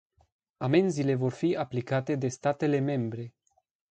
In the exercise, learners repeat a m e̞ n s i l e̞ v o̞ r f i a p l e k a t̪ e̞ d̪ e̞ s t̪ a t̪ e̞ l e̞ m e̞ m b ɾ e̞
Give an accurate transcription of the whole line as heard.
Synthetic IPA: a m e̞ n z i l e̞ v o̞ r f i a p l i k a t̪ e̞ d̪ e̞ s t̪ a t̪ e̞ l e̞ m e̞ m b ɾ e̞